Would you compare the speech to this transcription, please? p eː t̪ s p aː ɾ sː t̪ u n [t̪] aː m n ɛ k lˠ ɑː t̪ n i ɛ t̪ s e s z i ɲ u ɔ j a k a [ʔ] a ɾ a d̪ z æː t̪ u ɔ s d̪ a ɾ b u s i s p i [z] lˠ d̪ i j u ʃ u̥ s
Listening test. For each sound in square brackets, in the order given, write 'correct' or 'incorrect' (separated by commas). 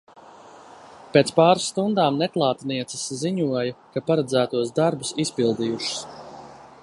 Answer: incorrect, incorrect, incorrect